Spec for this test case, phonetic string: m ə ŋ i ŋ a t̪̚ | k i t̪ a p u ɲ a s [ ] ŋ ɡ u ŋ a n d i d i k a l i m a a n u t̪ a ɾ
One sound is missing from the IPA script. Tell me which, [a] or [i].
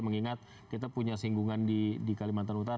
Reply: i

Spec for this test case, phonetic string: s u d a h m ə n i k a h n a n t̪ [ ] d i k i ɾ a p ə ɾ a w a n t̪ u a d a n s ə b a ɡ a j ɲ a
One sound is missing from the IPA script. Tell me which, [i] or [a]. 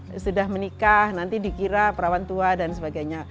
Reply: i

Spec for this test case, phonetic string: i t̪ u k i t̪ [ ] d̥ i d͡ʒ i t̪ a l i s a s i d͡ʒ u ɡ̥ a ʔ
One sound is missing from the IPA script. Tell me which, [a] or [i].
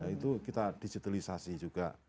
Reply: a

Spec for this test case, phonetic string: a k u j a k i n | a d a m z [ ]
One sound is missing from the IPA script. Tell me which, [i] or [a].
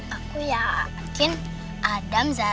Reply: a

